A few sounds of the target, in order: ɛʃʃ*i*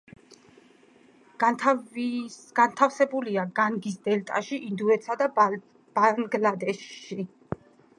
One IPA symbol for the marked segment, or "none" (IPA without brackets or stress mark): i